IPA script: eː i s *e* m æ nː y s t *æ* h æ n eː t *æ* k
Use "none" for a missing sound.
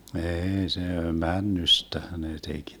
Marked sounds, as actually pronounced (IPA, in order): e, æ, e

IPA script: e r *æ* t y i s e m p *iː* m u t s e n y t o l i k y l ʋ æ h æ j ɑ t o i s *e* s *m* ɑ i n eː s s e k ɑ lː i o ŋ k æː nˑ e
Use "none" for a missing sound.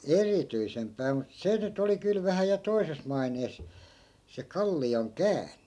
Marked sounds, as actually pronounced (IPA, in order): i, æː, e, m

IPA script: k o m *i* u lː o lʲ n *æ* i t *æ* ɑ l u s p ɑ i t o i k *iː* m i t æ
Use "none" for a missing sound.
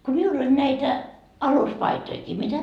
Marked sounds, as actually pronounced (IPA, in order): i, æ, æ, iː

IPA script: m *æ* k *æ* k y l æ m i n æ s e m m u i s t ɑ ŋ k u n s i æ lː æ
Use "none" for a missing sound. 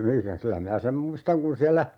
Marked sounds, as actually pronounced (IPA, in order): i, æ

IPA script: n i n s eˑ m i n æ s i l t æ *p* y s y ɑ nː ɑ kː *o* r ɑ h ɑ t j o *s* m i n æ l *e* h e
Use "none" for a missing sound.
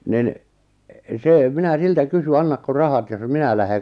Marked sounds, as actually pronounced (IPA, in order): k, o, s, æ

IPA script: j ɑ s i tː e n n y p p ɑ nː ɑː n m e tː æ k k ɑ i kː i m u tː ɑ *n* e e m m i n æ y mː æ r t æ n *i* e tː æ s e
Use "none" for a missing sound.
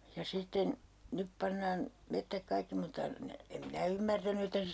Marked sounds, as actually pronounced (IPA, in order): n, y

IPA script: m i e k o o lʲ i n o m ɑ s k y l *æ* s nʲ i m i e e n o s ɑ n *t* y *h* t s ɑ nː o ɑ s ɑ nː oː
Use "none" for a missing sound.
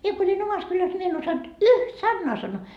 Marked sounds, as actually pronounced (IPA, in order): æ, t, h

